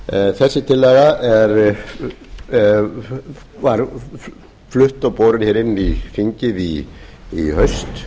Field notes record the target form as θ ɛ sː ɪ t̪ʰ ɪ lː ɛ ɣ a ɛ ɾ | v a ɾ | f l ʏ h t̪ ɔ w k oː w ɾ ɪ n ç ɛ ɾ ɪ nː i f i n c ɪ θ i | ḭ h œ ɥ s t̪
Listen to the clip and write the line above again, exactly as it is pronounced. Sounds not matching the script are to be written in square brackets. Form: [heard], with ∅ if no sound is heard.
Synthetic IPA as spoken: θ ɛ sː ɪ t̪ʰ ɪ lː ɛ ɣ a ɛ ɾ | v a ɾ | f l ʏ h t̪ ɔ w [p] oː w ɾ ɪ n ç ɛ ɾ ɪ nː i f i [ɲ] c ɪ [ð] i | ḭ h œ ɥ s t̪